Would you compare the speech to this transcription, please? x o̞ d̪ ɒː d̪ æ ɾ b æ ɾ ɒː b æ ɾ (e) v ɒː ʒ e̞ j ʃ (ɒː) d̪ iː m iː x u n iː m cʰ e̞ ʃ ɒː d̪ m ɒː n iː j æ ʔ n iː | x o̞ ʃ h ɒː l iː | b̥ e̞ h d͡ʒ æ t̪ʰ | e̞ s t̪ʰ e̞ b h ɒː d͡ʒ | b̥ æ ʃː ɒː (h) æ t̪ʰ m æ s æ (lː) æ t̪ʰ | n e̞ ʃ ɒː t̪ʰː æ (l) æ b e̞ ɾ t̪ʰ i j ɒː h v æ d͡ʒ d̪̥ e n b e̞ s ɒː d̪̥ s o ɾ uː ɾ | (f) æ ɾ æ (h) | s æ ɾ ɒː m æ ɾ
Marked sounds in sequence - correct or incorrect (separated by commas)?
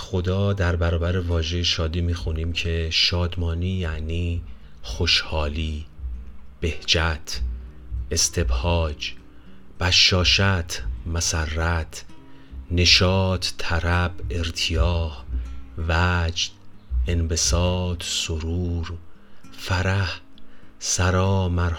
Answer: correct, correct, incorrect, incorrect, incorrect, correct, correct